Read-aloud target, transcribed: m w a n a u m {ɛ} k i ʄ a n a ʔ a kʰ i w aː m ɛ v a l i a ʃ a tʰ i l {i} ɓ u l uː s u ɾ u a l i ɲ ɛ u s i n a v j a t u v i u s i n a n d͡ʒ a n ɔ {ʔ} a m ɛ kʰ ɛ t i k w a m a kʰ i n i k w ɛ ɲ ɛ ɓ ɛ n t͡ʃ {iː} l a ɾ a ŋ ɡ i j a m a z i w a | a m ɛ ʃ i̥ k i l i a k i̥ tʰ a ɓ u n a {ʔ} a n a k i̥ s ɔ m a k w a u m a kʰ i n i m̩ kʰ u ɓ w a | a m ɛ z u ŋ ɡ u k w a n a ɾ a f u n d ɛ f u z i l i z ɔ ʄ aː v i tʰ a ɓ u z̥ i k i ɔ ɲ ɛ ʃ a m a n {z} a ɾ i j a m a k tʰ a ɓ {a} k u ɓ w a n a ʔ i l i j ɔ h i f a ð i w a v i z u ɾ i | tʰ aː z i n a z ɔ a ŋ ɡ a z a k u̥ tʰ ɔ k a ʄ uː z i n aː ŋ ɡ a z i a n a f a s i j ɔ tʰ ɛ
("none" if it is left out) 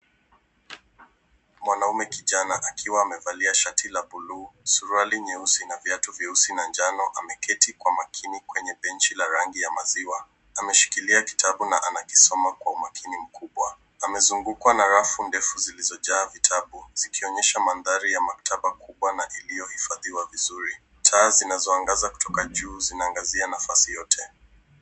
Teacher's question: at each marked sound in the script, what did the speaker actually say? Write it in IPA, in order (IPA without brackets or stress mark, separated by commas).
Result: ɛ, a, ʔ, i, ʔ, ð, a